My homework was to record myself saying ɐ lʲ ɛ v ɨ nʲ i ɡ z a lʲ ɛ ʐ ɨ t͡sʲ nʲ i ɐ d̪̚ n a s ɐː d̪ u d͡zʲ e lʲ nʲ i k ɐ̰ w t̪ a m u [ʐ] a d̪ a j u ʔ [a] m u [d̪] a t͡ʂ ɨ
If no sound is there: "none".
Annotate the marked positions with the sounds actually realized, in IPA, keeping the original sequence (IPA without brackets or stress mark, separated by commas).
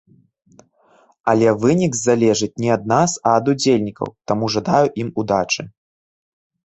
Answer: ʐ, i, d̪